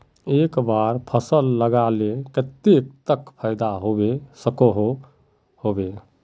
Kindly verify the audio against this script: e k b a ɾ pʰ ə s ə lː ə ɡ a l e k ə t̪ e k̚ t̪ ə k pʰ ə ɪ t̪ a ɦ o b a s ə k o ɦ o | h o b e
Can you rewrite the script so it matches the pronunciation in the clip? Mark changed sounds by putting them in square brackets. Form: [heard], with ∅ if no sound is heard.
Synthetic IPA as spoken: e k b a ɾ pʰ ə s ə lː ə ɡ a l e k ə t̪ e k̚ t̪ ə k pʰ ə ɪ [d̪] a ɦ o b [e] s ə k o ɦ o | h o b e